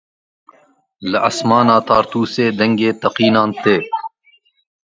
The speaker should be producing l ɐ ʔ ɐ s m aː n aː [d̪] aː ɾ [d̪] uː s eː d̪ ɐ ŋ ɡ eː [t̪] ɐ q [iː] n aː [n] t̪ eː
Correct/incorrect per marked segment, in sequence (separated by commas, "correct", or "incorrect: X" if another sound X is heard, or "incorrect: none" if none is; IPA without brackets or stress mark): incorrect: t̪, incorrect: t̪, correct, correct, correct